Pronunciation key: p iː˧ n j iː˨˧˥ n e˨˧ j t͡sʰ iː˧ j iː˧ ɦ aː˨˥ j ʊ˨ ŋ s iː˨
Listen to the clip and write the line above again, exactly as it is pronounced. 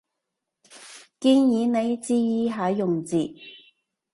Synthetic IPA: k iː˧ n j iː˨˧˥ n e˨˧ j t͡s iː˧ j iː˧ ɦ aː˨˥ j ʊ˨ ŋ t͡s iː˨